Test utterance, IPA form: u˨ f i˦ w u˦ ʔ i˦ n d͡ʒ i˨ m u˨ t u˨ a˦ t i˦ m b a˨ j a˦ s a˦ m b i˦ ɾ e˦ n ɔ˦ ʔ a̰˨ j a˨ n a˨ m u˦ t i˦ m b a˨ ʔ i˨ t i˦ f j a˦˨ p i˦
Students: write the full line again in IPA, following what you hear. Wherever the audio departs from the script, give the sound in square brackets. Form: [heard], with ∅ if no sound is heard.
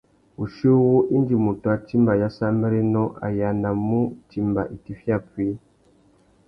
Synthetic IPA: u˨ [ʃ] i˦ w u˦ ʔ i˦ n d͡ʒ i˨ m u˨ t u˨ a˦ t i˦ m b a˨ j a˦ s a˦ m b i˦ ɾ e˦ n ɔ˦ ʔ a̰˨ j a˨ n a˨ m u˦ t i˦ m b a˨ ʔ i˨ t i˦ f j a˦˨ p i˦